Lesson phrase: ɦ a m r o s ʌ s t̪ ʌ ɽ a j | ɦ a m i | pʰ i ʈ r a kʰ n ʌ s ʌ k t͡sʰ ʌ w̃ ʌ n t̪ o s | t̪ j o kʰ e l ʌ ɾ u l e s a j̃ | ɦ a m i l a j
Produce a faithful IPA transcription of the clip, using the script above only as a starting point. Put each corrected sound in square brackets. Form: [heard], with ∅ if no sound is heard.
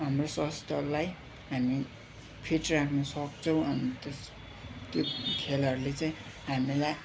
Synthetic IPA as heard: ɦ a m r o s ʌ s t̪ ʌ [l] a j | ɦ a m i | pʰ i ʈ r a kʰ n ʌ s ʌ k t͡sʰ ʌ w̃ ʌ n t̪ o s | t̪ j o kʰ e l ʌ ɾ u l e [t͡s] a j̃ | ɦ a m i l a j